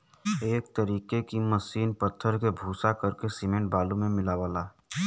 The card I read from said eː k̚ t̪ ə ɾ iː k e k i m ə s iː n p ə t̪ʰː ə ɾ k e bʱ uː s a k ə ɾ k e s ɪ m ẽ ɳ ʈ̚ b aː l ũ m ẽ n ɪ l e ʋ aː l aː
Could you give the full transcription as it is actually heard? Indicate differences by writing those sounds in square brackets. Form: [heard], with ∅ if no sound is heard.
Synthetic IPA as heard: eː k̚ t̪ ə ɾ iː k e k i m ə s iː n p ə t̪ʰː ə ɾ k e bʱ uː s a k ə ɾ k e s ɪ m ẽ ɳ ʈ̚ b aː l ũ m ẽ [m] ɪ l [a] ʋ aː l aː